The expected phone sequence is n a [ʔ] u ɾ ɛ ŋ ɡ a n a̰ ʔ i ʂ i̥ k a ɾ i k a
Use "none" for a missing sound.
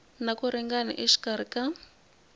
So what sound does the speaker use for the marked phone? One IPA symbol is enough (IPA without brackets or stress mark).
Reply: k